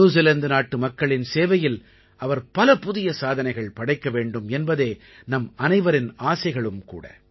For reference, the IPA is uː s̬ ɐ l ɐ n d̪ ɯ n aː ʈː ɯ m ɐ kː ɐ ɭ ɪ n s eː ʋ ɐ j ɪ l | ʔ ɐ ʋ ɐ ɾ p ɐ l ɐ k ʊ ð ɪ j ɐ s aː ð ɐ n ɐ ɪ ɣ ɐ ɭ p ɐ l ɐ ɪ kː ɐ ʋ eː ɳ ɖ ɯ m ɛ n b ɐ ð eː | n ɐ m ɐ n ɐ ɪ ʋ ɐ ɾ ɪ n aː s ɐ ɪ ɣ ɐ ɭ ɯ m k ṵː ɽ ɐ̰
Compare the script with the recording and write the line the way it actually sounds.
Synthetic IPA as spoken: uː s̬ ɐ l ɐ n d̪ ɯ n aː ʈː ɯ m ɐ kː ɐ ɭ ɪ n s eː ʋ ɐ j ɪ l | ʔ ɐ ʋ ɐ ɾ p ɐ l ɐ p ʊ ð ɪ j ɐ s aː ð ɐ n ɐ ɪ ɣ ɐ ɭ p ɐ ɽ ɐ ɪ kː ɐ ʋ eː ɳ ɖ ɯ m ɛ n b ɐ ð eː | n ɐ m ɐ n ɐ ɪ ʋ ɐ ɾ ɪ n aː s ɐ ɪ ɣ ɐ ɭ ɯ m k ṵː ɽ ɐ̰